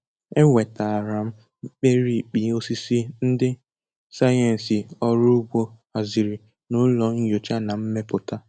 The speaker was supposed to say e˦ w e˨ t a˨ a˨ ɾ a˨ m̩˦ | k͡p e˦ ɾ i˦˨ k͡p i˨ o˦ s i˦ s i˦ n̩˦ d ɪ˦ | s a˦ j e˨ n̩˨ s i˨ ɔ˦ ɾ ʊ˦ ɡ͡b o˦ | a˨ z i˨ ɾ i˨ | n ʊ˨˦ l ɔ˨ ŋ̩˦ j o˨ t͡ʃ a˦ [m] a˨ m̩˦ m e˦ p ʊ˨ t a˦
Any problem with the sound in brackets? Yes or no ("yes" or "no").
yes